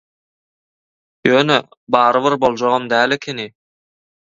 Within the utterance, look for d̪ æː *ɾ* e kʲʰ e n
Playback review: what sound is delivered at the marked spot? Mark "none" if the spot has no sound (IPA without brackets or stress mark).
l